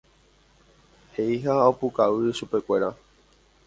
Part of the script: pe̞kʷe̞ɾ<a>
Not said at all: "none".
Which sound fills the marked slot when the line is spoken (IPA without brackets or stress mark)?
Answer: a